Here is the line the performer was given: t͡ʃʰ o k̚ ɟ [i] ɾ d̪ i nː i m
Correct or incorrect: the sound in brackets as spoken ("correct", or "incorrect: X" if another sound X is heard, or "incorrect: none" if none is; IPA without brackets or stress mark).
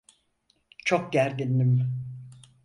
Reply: incorrect: æ